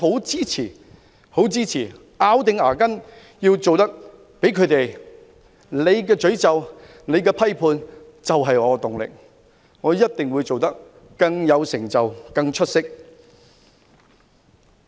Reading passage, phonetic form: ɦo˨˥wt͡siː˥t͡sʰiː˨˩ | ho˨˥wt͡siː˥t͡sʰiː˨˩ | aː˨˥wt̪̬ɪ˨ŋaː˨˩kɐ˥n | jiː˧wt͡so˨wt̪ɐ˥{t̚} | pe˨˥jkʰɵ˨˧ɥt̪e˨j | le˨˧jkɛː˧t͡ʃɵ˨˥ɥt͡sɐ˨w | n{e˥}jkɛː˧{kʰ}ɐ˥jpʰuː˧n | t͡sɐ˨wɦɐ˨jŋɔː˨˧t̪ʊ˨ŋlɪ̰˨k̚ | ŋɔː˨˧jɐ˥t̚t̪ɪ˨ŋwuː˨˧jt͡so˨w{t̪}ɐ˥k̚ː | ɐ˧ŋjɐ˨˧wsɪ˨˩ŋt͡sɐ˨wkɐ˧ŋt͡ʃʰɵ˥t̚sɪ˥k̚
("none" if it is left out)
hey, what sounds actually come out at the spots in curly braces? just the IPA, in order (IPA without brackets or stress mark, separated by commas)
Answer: k̚, e˨˧, pʰ, t̪